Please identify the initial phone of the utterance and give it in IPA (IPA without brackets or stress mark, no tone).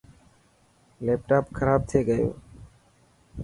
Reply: l